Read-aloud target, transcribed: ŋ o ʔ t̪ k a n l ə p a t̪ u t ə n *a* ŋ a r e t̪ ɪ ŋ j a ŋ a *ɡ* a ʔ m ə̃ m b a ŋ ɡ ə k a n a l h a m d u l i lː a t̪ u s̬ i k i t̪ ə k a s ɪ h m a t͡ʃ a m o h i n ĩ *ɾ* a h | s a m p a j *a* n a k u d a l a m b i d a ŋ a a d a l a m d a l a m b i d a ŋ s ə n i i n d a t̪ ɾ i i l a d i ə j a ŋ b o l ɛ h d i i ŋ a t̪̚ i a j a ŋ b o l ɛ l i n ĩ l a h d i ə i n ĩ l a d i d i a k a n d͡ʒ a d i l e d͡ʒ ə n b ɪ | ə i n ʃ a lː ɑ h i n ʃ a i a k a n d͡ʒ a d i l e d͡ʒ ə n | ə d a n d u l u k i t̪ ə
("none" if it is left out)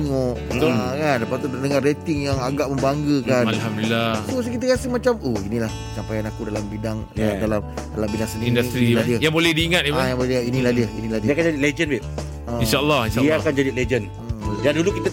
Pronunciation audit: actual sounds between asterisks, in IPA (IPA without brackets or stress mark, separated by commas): ə, ɡ, l, a